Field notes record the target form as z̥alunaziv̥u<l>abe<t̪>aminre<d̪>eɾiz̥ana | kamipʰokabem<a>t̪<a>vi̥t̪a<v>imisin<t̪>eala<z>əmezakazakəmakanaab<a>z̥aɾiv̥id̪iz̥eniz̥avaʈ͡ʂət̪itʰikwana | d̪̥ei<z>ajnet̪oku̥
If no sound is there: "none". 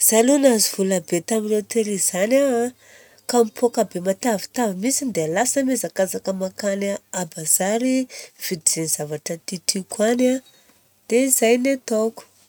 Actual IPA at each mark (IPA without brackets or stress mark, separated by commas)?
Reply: l, t̪, t̪, a, a, v, d̪, s, a, z